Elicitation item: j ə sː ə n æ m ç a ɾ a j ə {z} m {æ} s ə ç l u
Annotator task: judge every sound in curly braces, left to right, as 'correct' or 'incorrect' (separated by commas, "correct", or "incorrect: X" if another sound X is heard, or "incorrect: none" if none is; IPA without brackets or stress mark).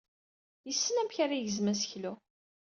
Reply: correct, correct